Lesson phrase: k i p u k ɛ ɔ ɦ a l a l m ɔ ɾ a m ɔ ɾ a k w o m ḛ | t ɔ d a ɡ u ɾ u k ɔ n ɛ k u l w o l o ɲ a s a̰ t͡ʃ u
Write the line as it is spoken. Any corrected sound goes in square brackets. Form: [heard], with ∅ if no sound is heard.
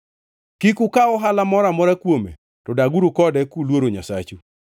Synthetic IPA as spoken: k i [k] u k [a] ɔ ɦ a l a [∅] m ɔ ɾ a m ɔ ɾ a k w o m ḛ | t ɔ d a ɡ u ɾ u k ɔ [d] ɛ k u l w o [ɾ] o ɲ a s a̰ t͡ʃ u